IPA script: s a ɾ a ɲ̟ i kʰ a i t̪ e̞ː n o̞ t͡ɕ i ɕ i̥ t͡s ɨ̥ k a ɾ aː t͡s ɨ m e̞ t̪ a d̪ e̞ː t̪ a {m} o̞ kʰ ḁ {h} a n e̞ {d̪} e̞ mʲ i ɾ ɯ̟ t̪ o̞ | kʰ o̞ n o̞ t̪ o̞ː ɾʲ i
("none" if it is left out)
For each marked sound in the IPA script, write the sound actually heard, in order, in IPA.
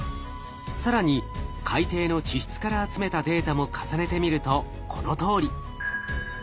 m, s, t̪

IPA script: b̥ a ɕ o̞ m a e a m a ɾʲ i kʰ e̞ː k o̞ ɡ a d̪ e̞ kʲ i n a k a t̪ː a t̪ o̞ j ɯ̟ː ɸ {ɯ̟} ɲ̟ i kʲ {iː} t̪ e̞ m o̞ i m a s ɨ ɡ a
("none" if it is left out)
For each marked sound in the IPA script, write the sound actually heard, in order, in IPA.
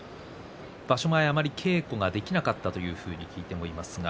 ɯ̟ː, iː

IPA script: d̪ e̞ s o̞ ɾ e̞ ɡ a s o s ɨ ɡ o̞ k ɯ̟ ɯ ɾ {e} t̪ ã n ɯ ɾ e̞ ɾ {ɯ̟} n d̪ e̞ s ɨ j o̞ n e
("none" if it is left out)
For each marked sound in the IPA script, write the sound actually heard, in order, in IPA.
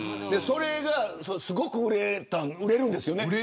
e, ɯ̟̃

